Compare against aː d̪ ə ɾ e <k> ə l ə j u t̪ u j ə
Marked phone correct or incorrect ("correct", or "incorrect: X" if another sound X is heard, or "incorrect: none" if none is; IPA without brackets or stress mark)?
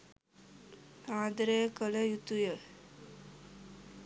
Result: correct